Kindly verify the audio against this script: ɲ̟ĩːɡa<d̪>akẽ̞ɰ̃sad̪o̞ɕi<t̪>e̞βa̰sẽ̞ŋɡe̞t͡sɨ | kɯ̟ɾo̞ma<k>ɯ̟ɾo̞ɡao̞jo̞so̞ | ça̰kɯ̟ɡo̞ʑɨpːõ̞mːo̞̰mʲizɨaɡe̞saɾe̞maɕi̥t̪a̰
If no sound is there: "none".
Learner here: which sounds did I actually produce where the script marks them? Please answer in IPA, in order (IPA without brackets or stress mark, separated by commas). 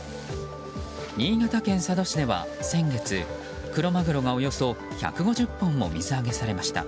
t̪, d̪, ɡ